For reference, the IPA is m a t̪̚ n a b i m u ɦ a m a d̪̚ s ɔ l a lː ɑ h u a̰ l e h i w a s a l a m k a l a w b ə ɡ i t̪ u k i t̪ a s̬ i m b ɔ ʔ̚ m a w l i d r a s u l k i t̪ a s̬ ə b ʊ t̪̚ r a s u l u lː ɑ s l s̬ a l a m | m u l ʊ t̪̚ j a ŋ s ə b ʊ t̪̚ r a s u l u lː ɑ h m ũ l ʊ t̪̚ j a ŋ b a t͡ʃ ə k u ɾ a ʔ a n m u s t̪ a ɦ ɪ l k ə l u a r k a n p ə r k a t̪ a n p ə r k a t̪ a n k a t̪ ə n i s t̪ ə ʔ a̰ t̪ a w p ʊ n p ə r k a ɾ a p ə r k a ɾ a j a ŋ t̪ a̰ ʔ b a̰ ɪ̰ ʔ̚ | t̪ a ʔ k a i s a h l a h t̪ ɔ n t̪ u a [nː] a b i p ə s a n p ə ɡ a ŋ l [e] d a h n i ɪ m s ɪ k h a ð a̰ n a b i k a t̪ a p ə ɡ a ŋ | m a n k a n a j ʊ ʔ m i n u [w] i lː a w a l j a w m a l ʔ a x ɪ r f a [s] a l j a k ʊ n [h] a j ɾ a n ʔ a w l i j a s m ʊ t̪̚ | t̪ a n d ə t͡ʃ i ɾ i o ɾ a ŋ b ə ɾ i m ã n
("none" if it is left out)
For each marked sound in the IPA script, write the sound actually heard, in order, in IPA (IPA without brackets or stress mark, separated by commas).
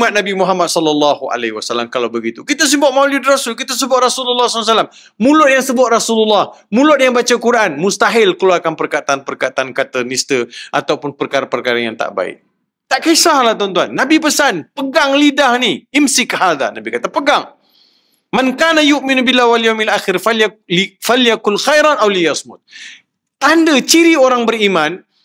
nː, i, b, f, x